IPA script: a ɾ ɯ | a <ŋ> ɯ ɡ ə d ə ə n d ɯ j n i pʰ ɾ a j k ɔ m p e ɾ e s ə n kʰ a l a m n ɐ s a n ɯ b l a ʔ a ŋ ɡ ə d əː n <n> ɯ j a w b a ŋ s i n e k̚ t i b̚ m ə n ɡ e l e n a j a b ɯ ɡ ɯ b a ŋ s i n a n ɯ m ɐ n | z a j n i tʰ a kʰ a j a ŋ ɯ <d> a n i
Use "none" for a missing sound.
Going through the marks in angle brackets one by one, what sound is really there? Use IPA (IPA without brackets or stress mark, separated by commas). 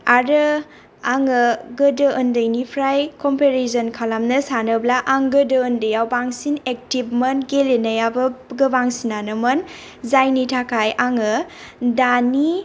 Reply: ŋ, d, d